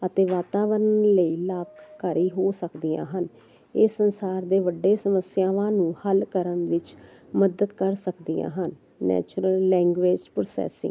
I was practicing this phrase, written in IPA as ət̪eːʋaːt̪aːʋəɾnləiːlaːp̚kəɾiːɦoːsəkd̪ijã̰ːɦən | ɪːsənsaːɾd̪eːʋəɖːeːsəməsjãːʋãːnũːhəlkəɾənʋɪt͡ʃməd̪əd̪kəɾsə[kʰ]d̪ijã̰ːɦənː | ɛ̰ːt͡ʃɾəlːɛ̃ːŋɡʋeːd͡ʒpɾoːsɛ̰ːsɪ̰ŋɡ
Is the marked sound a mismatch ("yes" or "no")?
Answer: yes